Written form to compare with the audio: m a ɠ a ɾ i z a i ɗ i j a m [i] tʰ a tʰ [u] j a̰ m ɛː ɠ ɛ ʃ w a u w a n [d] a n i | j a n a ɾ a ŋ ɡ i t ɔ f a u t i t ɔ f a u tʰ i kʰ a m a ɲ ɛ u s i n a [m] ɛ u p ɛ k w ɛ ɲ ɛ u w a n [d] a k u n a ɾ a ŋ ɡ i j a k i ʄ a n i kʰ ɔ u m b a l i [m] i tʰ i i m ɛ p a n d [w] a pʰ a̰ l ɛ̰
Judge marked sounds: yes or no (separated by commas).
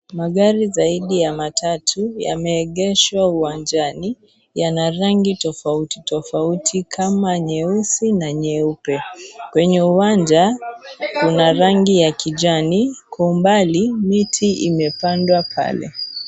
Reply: no, yes, no, no, no, yes, yes